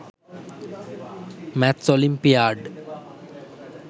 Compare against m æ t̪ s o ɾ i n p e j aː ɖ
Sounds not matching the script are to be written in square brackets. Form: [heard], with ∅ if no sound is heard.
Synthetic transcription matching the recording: m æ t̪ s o [l] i [m] p [i] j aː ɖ